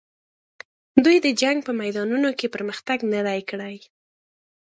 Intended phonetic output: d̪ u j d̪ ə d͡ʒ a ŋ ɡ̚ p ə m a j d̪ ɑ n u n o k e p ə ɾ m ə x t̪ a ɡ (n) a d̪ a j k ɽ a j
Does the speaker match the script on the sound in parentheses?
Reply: yes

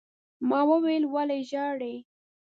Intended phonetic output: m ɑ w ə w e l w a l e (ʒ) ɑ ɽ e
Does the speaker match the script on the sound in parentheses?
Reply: yes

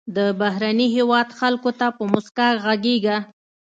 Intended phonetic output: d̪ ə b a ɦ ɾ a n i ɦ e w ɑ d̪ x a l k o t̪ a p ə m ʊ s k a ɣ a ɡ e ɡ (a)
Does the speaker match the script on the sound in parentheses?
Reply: yes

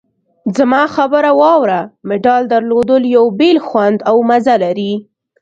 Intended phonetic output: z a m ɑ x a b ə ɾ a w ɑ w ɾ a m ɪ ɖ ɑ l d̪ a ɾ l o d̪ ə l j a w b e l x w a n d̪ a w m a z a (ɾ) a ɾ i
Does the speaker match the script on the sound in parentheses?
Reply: no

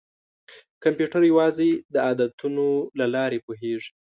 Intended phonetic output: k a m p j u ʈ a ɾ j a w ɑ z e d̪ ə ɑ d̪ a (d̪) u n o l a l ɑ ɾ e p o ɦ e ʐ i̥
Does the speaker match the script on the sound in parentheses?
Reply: no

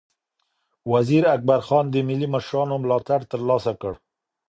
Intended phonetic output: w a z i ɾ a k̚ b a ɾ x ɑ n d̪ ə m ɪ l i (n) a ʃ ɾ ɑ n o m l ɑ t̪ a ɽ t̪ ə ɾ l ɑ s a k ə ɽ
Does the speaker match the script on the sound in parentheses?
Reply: no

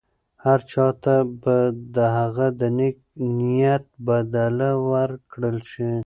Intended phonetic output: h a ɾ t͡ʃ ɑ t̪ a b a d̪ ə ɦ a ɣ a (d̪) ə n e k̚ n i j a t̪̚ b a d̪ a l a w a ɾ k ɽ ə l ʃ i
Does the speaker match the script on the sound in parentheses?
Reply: yes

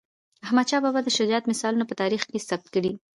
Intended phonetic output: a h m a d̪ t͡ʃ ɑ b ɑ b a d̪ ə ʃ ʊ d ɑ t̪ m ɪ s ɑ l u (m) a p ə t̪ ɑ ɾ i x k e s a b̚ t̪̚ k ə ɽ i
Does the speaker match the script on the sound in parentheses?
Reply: no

